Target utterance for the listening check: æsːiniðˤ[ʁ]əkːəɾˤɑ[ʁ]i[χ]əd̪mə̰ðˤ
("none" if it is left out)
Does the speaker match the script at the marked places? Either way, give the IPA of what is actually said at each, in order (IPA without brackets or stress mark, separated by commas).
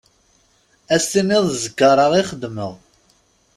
z, ʁ, χ